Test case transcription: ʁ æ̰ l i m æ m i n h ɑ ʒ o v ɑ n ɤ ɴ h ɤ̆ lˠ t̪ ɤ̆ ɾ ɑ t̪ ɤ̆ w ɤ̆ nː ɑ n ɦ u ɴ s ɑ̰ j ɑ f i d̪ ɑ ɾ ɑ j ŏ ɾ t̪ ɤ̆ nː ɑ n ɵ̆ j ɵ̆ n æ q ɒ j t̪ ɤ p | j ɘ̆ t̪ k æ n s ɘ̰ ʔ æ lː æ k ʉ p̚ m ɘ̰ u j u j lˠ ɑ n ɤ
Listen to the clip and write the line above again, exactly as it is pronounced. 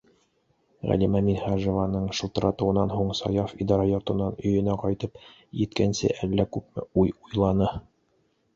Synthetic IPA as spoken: ʁ æ̰ l i m æ m i n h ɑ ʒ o v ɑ n ɤ ɴ ʃ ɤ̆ lˠ t̪ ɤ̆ ɾ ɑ t̪ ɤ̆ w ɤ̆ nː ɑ n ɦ u ɴ s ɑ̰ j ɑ f i d̪ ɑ ɾ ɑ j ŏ ɾ t̪ ɤ̆ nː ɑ n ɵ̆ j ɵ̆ n æ q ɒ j t̪ ɤ p | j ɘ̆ t̪ k æ n s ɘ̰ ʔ æ lː æ k ʉ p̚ m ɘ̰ u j u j lˠ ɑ n ɤ